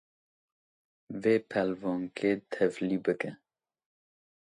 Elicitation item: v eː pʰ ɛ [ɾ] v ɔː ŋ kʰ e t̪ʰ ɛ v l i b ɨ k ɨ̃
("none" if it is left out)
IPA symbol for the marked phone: l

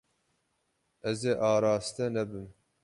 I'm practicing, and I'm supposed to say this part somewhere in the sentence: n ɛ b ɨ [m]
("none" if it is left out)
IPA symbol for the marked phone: m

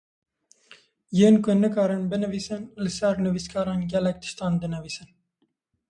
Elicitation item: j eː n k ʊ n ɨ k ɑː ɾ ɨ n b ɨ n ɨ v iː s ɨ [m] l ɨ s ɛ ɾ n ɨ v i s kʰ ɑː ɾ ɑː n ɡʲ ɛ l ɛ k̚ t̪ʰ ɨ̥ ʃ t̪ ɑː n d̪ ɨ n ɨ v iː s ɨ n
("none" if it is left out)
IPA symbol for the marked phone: n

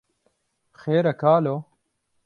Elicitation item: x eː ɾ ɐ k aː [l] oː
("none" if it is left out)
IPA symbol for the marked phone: l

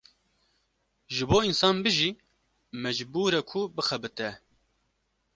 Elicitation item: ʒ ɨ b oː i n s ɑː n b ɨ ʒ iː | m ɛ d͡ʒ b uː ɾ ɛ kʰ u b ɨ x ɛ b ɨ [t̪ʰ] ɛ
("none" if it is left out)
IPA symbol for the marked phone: t̪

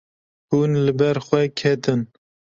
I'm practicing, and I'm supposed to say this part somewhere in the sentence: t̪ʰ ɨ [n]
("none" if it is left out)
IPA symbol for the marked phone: n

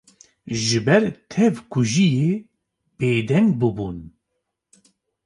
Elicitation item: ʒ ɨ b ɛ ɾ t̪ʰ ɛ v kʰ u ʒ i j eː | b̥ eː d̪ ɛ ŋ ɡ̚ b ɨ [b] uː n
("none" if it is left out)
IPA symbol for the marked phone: b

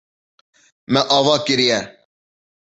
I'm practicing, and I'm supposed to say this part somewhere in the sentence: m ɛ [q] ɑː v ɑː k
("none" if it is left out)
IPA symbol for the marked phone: ʔ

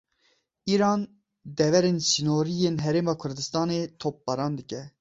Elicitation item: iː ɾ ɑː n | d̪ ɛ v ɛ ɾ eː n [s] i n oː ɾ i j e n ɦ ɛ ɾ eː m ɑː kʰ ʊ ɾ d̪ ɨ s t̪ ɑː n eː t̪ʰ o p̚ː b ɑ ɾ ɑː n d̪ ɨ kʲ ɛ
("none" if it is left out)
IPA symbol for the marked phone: s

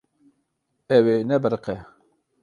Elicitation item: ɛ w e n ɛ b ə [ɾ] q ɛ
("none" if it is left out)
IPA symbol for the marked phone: ɾ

